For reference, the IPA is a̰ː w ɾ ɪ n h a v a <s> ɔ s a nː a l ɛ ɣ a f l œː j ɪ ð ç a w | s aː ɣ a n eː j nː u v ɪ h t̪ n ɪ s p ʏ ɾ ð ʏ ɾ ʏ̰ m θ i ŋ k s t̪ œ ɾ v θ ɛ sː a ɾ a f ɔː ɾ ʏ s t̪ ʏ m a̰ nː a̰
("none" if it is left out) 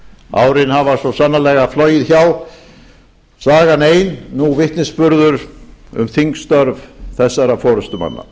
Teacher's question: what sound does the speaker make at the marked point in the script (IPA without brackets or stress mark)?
s